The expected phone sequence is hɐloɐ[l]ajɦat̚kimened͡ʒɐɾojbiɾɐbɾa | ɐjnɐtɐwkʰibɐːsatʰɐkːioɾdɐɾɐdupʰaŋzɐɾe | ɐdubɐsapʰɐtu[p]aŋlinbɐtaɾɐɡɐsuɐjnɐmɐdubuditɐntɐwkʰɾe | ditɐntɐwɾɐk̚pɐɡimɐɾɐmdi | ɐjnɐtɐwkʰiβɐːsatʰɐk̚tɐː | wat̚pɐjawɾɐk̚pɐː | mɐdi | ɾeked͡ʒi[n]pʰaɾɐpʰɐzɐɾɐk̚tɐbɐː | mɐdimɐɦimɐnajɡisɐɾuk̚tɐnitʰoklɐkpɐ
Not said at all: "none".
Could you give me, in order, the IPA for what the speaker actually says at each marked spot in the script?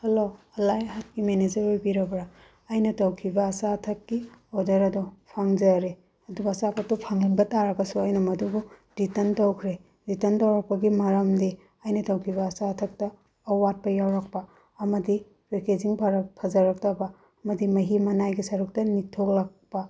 l, pʰ, ŋ

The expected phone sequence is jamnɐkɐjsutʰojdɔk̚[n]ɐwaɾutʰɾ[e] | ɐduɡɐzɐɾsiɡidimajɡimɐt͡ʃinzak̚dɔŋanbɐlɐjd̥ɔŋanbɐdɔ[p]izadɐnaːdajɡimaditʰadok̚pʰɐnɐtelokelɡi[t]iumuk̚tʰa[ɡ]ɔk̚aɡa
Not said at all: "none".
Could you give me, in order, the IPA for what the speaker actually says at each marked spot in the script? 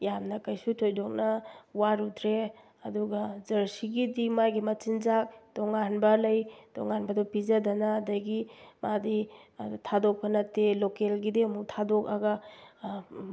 n, e, p, d, d

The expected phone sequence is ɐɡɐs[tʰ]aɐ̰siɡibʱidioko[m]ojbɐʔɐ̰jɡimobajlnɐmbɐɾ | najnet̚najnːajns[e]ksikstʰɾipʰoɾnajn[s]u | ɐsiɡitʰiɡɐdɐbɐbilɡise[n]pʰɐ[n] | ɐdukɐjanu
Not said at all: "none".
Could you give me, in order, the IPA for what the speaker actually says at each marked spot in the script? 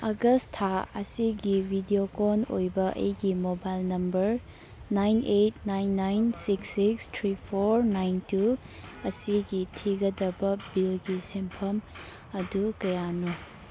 tʰ, n, i, t, m, m

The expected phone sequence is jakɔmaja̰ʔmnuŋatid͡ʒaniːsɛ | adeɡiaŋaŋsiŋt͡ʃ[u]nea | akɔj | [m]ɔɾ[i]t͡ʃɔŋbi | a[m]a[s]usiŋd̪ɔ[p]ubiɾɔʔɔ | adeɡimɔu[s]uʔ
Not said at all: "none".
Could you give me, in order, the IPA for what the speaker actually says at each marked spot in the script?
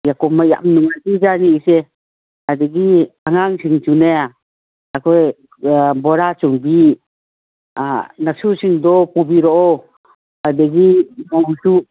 u, b, a, n, s, p, s

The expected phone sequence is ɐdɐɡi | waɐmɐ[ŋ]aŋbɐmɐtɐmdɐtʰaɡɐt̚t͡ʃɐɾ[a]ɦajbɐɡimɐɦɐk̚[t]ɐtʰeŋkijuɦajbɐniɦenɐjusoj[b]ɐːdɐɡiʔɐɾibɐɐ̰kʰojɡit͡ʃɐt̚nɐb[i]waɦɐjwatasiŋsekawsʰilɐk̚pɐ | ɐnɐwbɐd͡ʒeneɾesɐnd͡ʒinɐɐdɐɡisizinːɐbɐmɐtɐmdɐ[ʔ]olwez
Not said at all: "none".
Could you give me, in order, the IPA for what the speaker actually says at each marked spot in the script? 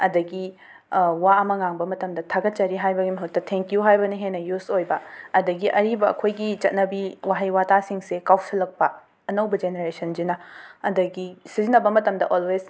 ŋ, i, t, b, i, ʔ

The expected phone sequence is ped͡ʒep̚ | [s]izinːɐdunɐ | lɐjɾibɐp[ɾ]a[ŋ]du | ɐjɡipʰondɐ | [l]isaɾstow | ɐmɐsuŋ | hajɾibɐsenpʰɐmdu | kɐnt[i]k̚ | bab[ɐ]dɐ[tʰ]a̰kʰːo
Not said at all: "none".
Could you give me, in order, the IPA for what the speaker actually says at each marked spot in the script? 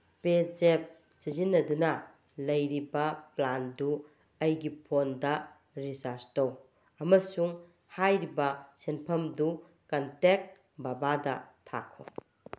s, l, n, ɾ, e, a, tʰ

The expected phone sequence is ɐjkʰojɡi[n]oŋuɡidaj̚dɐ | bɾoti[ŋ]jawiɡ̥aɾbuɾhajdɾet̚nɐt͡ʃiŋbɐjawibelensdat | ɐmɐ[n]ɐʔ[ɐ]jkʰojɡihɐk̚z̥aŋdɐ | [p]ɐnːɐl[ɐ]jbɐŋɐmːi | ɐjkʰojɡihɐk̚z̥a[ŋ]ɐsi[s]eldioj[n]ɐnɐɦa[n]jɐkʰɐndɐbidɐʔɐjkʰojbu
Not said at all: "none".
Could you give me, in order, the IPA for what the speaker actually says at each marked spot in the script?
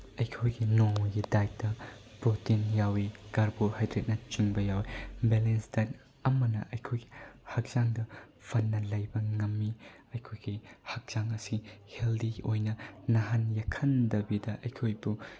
n, n, n, ɐ, pʰ, ɐ, ŋ, h, n, n

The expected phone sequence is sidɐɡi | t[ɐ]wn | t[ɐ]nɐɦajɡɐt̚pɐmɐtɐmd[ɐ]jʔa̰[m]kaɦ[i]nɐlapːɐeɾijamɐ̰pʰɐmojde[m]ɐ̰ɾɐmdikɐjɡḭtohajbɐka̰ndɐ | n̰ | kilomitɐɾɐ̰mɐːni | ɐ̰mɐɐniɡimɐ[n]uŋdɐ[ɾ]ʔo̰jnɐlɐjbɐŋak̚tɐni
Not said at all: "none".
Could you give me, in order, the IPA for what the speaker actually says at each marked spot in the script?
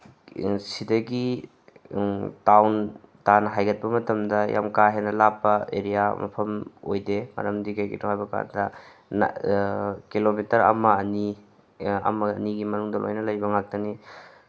a, a, ɐ, m, e, m, n, l

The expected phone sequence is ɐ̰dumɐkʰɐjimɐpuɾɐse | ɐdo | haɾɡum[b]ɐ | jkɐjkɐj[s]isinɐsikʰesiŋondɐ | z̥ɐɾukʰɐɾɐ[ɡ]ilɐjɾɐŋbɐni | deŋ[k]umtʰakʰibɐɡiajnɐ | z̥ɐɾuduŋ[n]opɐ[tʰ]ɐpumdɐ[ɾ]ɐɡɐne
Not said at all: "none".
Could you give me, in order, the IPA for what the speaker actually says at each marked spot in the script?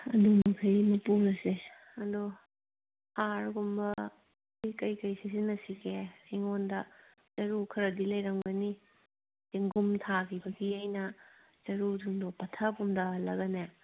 b, s, d, ɡ, d, tʰ, l

